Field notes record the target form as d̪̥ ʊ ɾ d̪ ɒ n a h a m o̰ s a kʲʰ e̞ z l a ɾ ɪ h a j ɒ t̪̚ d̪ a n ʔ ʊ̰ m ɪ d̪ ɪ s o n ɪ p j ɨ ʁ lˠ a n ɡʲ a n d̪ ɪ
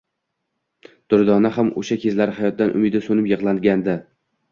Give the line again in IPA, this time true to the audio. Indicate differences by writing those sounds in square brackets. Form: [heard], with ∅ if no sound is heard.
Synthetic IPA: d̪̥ ʊ ɾ d̪ ɒ n a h a m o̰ [ʃ] a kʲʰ e̞ z l a ɾ ɪ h a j ɒ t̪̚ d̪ a n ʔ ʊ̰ m ɪ d̪ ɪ s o n ɪ p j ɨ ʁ lˠ a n ɡʲ a n d̪ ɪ